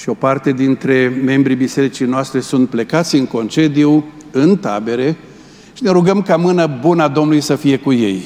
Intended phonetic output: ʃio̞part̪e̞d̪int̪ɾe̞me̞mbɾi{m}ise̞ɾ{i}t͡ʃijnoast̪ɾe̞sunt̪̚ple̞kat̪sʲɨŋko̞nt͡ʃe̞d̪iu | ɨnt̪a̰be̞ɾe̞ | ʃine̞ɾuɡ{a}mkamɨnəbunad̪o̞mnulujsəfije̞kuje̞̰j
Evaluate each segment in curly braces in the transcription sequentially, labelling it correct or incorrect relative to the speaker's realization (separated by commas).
incorrect, correct, incorrect